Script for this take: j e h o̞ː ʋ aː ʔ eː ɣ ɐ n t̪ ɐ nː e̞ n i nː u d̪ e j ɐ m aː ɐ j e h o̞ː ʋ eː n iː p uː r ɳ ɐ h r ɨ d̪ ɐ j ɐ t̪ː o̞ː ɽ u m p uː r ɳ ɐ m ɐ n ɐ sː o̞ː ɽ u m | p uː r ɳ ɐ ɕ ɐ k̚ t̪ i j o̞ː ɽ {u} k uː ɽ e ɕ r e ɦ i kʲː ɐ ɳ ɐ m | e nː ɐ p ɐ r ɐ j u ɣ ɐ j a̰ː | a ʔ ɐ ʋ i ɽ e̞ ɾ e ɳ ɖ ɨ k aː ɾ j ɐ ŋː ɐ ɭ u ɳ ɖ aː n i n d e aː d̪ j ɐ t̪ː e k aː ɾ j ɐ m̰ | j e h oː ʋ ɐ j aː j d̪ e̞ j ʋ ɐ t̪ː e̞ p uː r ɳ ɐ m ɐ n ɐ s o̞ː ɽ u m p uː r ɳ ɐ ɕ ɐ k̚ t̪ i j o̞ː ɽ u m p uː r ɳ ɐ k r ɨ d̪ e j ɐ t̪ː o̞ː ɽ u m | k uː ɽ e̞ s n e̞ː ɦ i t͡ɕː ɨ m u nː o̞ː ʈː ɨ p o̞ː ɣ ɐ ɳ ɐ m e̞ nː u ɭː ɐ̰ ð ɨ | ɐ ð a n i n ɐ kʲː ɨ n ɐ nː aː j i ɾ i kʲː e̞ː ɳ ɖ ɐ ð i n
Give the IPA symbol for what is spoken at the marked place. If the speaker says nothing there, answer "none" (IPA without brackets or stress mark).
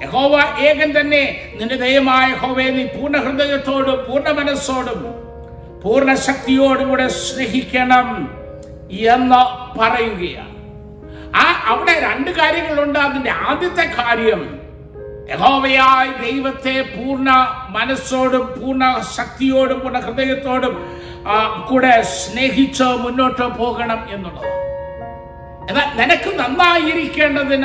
u